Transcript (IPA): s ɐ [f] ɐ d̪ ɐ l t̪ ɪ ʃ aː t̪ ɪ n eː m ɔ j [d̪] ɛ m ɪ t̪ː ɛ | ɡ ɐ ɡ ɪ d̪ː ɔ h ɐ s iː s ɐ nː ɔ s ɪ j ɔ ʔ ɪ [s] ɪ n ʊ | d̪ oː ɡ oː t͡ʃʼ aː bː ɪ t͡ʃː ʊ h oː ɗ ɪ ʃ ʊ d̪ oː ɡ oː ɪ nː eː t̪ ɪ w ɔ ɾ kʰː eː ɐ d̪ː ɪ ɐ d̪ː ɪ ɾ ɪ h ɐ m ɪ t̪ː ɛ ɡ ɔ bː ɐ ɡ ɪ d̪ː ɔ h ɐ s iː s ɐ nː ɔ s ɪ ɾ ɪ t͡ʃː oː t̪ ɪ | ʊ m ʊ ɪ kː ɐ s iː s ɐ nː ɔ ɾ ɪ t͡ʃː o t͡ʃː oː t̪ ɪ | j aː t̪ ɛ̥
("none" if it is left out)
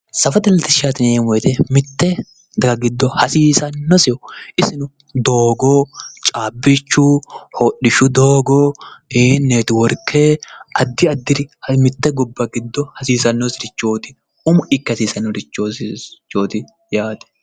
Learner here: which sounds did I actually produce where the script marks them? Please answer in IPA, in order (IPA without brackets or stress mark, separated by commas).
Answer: f, t̪, s